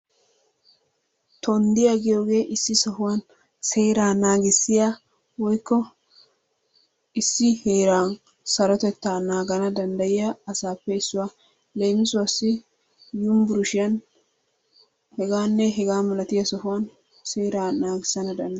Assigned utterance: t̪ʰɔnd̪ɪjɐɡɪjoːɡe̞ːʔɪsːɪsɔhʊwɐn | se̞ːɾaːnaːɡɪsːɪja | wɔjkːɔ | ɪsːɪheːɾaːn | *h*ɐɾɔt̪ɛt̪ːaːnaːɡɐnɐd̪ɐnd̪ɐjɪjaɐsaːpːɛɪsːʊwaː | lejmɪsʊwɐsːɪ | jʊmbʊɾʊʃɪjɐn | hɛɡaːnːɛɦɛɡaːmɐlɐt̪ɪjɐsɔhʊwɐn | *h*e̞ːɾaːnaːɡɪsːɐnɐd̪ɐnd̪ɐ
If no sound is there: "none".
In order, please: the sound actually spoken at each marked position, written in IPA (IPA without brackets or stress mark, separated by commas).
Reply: s, s